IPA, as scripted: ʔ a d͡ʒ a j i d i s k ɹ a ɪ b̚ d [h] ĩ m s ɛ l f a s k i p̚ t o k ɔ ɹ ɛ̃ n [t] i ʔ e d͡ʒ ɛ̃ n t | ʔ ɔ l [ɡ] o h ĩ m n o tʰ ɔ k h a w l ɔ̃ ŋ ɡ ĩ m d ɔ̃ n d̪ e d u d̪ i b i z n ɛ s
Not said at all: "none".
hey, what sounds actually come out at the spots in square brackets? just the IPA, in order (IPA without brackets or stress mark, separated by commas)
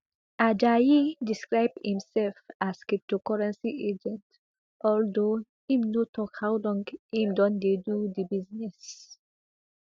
h, s, d